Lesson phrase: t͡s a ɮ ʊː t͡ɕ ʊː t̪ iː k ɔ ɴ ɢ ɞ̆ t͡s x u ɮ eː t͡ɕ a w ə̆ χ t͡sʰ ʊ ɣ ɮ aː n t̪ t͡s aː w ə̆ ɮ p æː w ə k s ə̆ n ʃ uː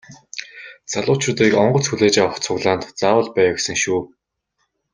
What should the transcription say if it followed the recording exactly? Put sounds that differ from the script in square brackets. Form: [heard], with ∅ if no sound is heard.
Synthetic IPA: t͡s a ɮ ʊː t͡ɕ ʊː t̪ iː k ɔ ɴ ɢ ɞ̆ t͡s x u ɮ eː t͡ɕ a w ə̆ χ t͡sʰ ʊ ɣ ɮ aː n t̪ t͡s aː w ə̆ ɮ p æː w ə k s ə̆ [ŋ] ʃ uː